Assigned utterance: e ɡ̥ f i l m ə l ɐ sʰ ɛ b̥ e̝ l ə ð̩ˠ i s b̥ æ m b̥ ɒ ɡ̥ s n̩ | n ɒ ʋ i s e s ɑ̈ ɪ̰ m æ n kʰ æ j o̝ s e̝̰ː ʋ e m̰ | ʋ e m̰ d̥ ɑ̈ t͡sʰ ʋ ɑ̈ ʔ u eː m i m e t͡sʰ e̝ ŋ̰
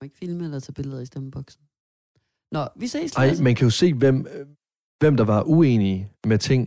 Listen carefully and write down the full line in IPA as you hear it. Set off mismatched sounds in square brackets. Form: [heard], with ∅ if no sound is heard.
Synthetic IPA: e ɡ̥ f i l m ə l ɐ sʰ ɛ b̥ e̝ l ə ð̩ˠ i s [d̥] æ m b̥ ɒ ɡ̥ s n̩ | n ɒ ʋ i s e s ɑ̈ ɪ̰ m æ n kʰ æ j o̝ s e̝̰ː ʋ e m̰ | ʋ e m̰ d̥ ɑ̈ [∅] ʋ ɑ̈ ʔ u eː [n] i m e t͡sʰ e̝ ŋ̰